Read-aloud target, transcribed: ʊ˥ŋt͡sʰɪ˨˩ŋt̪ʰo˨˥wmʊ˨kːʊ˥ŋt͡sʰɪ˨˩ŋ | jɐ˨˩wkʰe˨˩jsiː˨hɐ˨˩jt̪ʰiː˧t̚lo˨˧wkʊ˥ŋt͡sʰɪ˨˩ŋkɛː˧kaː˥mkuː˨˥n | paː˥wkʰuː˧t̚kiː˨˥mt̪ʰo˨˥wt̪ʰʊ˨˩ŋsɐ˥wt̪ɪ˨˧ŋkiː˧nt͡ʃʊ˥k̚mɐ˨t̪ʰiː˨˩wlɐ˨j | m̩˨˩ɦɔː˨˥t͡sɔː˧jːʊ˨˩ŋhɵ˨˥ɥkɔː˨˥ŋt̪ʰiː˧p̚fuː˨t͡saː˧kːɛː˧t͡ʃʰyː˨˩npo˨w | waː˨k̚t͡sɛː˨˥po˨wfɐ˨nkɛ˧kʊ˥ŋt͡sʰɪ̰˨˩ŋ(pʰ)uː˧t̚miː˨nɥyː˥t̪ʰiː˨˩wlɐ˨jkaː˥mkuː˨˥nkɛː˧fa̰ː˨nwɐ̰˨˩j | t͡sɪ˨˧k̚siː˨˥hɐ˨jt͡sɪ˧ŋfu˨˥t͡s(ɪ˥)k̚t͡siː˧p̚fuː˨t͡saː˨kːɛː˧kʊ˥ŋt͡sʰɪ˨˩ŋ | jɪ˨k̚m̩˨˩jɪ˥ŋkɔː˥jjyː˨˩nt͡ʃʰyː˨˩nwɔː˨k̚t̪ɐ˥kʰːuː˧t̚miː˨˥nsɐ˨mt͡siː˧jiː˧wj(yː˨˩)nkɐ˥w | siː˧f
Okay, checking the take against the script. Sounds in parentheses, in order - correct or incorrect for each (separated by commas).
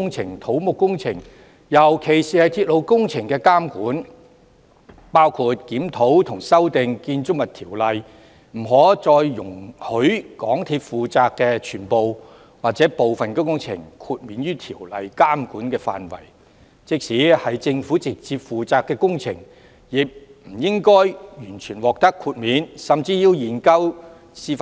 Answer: incorrect, incorrect, incorrect